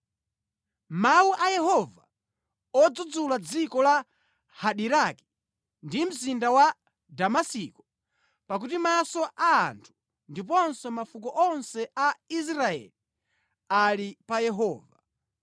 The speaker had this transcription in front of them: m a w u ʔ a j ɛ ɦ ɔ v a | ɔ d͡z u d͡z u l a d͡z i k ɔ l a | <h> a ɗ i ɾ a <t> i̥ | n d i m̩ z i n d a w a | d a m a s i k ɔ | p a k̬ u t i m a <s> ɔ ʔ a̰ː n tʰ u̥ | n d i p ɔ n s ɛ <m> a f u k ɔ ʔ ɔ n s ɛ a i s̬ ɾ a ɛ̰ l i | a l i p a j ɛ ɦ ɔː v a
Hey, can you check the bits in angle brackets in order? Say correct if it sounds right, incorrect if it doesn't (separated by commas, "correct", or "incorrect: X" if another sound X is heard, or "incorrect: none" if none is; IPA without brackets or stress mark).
correct, incorrect: k, correct, correct